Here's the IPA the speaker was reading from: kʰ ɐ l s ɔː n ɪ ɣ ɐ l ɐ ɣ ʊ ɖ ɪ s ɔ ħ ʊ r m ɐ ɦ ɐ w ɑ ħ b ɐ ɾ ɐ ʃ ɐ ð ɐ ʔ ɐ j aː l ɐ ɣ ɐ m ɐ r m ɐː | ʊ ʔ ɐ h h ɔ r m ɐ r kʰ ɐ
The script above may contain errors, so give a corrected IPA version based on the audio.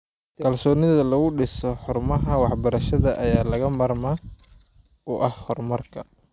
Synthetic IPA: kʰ ɐ l s ɔː n ɪ ð ɐ l ɐ ɣ ʊ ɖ ɪ s ɔ ħ ʊ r m ɐ ɦ ɐ w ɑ ħ b ɐ ɾ ɐ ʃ ɐ ð ɐ ʔ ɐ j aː l ɐ ɣ ɐ m ɐ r m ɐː | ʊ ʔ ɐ h h ɔ r m ɐ r kʰ ɐ

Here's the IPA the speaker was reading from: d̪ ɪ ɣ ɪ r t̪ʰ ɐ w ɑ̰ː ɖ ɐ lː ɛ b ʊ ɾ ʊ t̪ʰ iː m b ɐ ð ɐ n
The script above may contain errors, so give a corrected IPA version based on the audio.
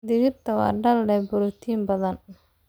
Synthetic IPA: d̪ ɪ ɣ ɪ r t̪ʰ ɐ w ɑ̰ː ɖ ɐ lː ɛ b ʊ ɾ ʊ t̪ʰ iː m b ɐ ð ɐ n

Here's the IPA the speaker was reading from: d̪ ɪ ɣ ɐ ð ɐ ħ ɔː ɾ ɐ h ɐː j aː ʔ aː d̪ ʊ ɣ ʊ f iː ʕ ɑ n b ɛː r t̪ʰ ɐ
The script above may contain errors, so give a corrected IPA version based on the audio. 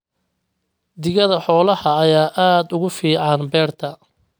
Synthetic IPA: d̪ ɪ ɣ ɐ ð ɐ ħ ɔː l ɐ h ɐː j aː ʔ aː d̪ ʊ ɣ ʊ f iː ʕ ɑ n b ɛː r t̪ʰ ɐ

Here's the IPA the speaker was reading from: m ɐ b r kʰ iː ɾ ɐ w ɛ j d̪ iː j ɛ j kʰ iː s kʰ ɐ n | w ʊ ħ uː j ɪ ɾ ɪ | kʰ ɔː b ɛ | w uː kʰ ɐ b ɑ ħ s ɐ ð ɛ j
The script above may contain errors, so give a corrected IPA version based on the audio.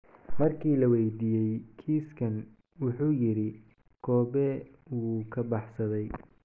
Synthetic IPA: m ɐ r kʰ iː l ɐ w ɛ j d̪ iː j ɛ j kʰ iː s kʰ ɐ n | w ʊ ħ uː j ɪ ɾ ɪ | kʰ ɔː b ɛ | w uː kʰ ɐ b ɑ ħ s ɐ ð ɛ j

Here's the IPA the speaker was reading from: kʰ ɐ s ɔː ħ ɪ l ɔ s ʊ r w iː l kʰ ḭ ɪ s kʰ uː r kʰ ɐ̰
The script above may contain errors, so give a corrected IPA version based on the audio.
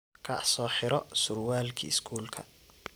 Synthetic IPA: kʰ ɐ s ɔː ħ ɪ ɾ ɔ s ʊ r w aː l kʰ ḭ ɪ s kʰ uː l kʰ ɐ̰

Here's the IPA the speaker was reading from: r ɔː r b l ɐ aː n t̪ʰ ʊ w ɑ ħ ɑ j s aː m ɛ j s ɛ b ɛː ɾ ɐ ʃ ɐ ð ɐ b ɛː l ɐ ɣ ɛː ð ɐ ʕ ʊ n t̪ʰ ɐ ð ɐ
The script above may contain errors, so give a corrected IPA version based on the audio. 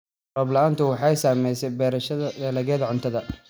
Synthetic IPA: r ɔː b l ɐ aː n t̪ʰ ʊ w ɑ ħ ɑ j s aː m ɛ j s ɛ b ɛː ɾ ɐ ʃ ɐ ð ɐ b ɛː l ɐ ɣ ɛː ð ɐ ʕ ʊ n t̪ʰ ɐ ð ɐ

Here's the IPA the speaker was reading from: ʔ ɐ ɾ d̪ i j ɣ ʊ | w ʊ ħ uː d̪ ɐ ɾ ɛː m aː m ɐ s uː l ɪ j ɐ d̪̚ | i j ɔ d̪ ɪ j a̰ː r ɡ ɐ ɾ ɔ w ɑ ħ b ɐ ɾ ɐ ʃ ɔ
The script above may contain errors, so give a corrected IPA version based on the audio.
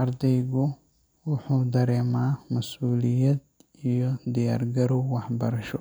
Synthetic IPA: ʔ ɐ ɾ d̪ ɛ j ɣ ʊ | w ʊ ħ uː d̪ ɐ ɾ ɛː m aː m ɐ s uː l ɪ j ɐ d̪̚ | i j ɔ d̪ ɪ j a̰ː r ɡ ɐ ɾ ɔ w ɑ ħ b ɐ ɾ ɐ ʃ ɔ

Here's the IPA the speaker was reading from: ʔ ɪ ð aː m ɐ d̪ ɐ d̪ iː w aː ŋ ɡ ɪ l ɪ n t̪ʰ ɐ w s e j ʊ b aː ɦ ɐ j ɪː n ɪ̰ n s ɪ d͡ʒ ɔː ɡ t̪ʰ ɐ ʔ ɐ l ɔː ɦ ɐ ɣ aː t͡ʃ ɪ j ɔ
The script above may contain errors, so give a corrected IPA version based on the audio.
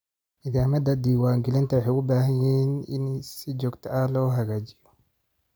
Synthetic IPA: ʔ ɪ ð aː m ɐ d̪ ɐ d̪ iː w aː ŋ ɡ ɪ l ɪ n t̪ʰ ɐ w ħ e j ʊ b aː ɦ ɐ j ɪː n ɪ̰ n s ɪ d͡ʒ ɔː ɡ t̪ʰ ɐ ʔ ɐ l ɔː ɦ ɐ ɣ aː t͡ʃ ɪ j ɔ

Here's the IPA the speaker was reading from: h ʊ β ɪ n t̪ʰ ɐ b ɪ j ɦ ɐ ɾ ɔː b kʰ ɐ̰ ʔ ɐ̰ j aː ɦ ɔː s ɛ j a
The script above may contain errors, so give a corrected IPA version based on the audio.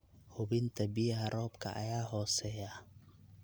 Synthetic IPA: h ʊ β ɪ n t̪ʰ ɐ b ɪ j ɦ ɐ ɾ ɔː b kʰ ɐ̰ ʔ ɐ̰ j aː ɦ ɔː s ɛ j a

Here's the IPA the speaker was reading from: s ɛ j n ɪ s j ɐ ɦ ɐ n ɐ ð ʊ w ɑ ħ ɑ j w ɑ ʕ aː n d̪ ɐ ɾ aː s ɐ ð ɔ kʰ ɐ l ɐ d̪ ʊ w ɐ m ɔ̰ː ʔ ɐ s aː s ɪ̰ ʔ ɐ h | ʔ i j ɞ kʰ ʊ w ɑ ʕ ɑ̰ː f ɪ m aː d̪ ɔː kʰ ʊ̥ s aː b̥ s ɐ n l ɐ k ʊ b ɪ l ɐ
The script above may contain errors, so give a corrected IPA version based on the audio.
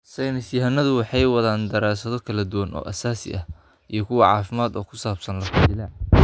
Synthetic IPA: s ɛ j n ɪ s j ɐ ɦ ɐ n ɐ ð ʊ w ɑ ħ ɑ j w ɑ ð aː n d̪ ɐ ɾ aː s ɐ ð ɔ kʰ ɐ l ɐ d̪ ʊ w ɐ n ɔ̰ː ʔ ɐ s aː s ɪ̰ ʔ ɐ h | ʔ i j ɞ kʰ ʊ w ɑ ʕ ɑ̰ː f ɪ m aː d̪ ɔː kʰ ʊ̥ s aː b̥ s ɐ n l ɐ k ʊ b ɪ l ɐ

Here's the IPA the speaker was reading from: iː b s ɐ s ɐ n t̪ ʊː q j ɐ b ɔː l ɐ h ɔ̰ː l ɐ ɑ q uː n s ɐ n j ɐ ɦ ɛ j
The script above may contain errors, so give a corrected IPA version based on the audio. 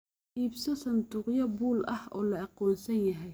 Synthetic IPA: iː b s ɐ s ɐ n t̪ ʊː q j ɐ b uː l ɐ h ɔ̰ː l ɐ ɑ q ɔː n s ɐ n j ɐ ɦ ɛ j

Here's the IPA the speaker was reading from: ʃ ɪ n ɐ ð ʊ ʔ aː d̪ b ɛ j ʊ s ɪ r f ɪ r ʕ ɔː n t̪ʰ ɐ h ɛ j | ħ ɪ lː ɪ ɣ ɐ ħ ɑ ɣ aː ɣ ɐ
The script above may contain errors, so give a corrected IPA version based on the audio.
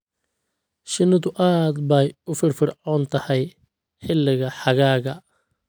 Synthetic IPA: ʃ ɪ n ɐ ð ʊ ʔ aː d̪ b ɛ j ʊ f ɪ r f ɪ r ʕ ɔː n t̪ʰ ɐ h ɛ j | ħ ɪ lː ɪ ɣ ɐ ħ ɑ ɣ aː ɣ ɐ

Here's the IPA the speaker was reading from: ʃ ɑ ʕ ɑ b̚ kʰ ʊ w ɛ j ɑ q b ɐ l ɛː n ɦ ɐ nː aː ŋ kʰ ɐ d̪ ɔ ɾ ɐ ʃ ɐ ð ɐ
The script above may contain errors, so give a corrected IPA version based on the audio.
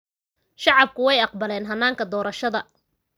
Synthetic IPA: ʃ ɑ ʕ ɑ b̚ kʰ ʊ w ɛ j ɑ q b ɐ l ɛː n ɦ ɐ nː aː ŋ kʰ ɐ d̪ ɔː ɾ ɐ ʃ ɐ ð ɐ

